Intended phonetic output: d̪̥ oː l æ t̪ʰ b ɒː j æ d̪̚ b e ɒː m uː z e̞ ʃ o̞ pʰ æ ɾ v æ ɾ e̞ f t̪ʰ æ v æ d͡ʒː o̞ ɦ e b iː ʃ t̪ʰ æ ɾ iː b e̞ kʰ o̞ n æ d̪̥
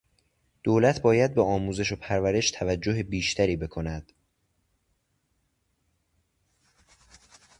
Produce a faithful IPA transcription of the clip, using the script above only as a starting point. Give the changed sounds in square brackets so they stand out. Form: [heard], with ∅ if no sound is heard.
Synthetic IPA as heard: d̪̥ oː l æ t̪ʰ b ɒː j æ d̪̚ b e ɒː m uː z e̞ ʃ o̞ pʰ æ ɾ v æ ɾ e̞ [ʃ] t̪ʰ æ v æ d͡ʒː o̞ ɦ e b iː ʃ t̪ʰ æ ɾ iː b e̞ kʰ o̞ n æ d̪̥